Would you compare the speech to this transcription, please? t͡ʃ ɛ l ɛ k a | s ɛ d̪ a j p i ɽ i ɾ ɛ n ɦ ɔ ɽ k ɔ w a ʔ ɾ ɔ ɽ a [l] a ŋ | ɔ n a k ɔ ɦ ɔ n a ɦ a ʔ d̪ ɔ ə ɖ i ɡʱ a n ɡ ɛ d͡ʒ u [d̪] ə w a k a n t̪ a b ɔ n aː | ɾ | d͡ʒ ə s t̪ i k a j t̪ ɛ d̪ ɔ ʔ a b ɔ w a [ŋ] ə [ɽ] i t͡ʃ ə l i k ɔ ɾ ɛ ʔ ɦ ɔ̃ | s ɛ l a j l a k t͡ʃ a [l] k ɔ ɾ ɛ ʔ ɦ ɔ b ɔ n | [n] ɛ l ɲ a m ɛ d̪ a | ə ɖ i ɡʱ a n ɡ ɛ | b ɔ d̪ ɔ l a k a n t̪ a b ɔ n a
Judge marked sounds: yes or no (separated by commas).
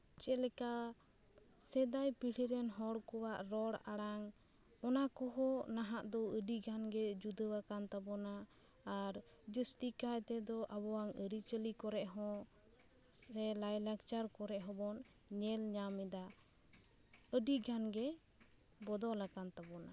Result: no, yes, yes, no, no, no